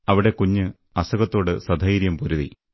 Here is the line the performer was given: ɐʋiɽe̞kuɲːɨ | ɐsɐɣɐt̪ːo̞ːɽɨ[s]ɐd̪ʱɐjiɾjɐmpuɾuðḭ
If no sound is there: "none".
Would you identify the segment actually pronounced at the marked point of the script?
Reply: s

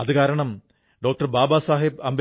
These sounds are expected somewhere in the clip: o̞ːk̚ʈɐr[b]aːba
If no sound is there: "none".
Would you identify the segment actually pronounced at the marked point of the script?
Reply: b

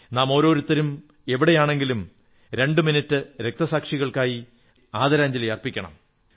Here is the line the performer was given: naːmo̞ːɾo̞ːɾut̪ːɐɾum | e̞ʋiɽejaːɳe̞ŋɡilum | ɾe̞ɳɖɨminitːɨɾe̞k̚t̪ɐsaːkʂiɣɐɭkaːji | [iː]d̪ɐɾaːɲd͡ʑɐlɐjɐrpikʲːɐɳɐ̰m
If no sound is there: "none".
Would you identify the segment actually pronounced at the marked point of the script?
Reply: aː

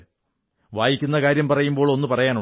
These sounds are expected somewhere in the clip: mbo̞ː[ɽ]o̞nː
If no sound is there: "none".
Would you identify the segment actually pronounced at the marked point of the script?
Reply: ɭ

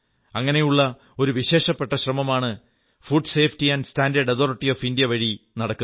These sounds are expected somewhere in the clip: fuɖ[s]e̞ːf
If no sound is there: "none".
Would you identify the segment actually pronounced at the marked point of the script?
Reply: s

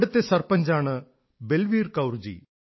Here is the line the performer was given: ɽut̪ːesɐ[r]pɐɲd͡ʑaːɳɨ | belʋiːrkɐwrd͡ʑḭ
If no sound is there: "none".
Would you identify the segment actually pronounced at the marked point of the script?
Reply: r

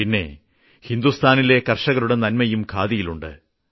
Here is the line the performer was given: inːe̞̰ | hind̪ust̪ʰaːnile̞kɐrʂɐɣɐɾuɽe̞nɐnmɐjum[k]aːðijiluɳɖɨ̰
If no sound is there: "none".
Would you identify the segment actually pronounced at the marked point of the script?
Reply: kʰ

